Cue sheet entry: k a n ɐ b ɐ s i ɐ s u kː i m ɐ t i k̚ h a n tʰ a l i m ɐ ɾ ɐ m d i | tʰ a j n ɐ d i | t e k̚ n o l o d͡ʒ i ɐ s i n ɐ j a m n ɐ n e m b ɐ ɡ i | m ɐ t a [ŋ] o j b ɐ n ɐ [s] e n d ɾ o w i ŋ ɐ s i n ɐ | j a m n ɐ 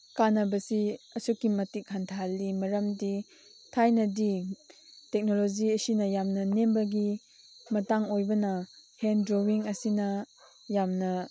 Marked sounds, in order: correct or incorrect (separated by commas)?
correct, incorrect